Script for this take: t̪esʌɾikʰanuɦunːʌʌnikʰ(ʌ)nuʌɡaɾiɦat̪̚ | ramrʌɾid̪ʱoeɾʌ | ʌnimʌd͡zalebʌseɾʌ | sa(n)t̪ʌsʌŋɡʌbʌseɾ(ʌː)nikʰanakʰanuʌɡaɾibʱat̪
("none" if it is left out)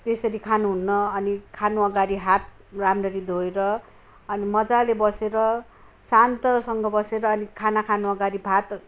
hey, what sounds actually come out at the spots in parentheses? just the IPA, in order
a, n, ʌː

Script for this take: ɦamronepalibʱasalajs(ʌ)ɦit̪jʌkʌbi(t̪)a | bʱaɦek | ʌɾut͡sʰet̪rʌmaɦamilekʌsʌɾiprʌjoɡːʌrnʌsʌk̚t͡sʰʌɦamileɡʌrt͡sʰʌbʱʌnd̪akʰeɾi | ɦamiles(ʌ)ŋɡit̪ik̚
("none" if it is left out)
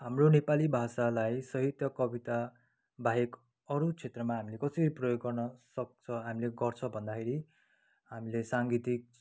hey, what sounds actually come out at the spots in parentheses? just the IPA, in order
ʌ, t̪, a

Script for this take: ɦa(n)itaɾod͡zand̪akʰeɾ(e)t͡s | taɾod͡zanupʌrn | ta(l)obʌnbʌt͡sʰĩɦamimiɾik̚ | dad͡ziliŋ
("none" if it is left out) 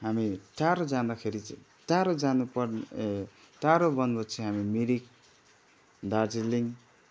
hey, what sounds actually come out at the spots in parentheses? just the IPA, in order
m, i, ɾ

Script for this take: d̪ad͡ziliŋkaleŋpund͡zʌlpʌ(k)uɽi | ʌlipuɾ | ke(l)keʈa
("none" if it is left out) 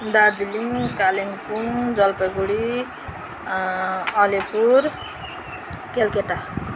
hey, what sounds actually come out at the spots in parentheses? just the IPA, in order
ɡ, l

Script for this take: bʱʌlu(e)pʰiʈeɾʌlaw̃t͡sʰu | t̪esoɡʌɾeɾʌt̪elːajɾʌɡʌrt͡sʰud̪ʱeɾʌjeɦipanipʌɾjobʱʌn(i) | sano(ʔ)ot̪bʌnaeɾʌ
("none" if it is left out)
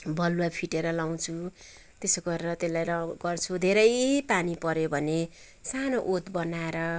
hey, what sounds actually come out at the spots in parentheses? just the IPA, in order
a, e, ʔ

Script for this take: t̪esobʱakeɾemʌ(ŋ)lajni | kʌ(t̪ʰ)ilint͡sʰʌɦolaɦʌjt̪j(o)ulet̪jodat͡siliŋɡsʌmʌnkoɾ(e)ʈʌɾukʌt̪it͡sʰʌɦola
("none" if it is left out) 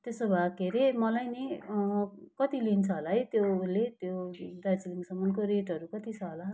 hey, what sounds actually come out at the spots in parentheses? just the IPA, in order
none, t̪, o, e

